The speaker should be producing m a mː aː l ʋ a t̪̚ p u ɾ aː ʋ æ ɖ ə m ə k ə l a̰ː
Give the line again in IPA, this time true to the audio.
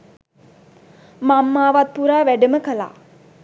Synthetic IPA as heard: m a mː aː ʋ a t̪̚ p u ɾ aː ʋ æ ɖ ə m ə k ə l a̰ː